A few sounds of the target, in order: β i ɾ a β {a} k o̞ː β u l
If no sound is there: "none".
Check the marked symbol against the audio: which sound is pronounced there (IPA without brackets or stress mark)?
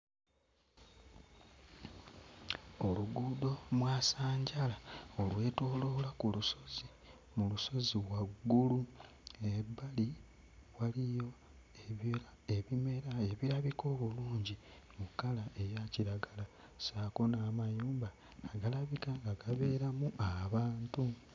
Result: i